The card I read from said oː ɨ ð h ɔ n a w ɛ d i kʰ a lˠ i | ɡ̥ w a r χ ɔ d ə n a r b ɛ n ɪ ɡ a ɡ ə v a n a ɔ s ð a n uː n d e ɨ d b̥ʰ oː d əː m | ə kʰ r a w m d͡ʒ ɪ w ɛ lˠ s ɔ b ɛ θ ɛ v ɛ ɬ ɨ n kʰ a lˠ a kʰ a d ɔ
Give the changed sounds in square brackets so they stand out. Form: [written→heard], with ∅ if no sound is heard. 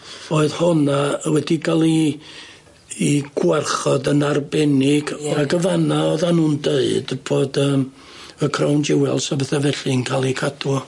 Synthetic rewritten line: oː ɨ ð h ɔ n a w ɛ d i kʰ a lˠ i | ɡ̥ w a r χ ɔ d ə n a r b ɛ n ɪ ɡ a ɡ ə v a n a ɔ [s→∅] ð a n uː n d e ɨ d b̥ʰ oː d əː m | ə kʰ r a w [m→n] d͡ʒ ɪ w ɛ lˠ s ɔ b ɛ θ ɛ v ɛ ɬ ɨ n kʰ a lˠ [a→i] kʰ a d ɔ